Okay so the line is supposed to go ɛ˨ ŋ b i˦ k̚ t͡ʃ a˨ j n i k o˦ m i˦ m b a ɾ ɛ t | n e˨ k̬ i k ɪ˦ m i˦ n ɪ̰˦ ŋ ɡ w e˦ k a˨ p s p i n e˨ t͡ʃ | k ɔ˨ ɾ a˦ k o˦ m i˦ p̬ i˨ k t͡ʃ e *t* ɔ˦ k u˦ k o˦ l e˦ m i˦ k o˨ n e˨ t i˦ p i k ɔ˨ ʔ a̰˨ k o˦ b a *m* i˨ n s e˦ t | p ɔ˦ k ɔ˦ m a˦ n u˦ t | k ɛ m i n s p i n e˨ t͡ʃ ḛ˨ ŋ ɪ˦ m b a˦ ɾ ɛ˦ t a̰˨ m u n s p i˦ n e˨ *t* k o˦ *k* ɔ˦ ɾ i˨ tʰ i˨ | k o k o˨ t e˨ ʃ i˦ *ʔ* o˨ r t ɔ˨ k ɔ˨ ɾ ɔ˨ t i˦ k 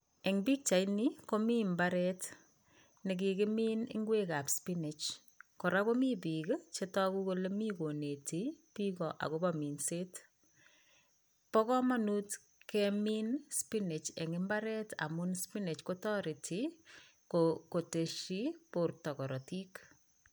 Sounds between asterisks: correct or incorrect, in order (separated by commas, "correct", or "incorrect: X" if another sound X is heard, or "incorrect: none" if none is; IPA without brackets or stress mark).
correct, correct, incorrect: t͡ʃ, incorrect: t, incorrect: p